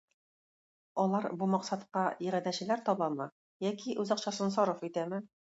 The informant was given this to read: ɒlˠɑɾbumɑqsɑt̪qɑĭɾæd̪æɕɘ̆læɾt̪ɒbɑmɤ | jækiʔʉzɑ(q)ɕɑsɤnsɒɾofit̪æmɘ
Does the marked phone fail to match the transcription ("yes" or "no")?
no